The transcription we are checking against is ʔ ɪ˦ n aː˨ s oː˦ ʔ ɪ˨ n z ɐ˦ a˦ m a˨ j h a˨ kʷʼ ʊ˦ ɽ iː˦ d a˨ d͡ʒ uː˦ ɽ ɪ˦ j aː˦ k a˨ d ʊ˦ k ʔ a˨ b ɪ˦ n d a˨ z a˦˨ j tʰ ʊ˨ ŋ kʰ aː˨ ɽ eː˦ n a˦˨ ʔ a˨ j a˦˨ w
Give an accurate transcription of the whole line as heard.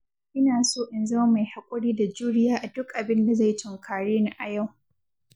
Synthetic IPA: ʔ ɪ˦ n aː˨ s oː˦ ʔ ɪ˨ n z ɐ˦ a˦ m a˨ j h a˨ kʷʼ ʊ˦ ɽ iː˦ d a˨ d͡ʒ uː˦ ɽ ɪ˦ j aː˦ ʔ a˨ d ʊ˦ k ʔ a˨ b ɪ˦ n d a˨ z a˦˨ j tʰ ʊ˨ ŋ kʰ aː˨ ɽ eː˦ n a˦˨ ʔ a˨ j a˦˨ w